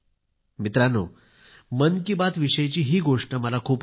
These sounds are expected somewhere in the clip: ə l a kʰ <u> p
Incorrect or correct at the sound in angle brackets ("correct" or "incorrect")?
incorrect